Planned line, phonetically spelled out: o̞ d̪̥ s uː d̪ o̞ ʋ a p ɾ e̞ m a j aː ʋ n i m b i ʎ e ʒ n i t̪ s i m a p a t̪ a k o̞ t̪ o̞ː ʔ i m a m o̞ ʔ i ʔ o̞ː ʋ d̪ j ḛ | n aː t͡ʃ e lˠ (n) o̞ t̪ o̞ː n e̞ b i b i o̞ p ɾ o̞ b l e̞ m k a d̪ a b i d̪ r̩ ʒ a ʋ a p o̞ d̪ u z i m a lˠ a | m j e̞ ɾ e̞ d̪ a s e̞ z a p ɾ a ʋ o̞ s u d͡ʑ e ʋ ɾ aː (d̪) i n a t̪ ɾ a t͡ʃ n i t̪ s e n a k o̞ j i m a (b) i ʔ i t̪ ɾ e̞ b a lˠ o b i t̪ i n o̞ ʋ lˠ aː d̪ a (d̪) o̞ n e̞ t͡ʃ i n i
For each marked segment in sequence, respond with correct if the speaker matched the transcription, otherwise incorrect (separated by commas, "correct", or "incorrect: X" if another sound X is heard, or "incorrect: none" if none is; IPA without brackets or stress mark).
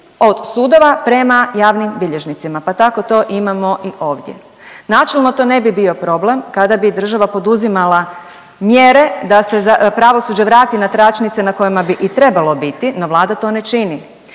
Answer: correct, incorrect: t̪, correct, incorrect: t̪